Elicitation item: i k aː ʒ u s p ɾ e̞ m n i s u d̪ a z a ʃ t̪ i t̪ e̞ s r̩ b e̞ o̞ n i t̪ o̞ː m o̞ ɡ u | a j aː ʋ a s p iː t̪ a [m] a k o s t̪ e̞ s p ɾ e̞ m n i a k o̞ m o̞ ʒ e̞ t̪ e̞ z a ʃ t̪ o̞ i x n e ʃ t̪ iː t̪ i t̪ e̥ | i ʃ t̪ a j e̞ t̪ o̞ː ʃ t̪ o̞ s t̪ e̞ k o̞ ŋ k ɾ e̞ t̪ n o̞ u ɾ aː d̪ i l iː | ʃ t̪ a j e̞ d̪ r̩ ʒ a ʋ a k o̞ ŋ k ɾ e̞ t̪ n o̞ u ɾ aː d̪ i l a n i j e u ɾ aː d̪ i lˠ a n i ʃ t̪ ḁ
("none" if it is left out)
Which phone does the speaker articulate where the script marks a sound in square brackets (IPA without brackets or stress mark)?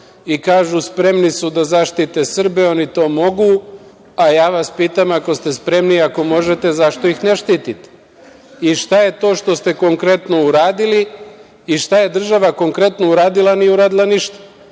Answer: m